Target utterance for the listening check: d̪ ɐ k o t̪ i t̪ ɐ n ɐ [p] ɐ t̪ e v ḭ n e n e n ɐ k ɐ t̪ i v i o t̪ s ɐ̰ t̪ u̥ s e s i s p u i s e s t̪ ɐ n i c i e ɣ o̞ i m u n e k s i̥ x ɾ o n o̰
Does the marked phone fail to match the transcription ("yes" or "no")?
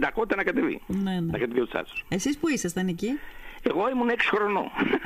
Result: yes